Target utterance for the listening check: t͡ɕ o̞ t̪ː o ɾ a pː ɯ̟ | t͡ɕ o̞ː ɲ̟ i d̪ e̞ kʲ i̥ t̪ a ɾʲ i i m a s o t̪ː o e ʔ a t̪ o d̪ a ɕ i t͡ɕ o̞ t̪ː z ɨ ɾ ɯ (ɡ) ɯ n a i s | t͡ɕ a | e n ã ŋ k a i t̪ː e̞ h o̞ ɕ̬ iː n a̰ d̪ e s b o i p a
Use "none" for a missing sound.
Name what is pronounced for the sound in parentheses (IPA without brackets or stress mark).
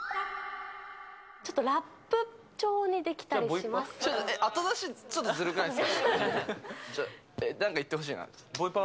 k